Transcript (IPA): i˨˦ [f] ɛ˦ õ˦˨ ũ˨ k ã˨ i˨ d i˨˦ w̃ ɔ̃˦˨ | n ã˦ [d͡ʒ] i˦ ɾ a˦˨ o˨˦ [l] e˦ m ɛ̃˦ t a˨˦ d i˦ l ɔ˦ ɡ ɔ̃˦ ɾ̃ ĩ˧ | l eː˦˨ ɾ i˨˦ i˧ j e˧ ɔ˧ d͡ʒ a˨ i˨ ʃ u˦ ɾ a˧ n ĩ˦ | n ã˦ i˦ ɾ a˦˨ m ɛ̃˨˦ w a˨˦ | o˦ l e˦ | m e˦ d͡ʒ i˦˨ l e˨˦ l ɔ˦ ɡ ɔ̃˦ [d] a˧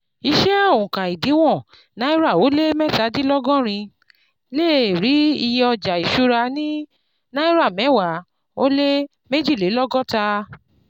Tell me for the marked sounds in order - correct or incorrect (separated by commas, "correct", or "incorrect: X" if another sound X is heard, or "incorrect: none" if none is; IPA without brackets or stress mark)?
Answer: incorrect: ʃ, incorrect: none, correct, incorrect: t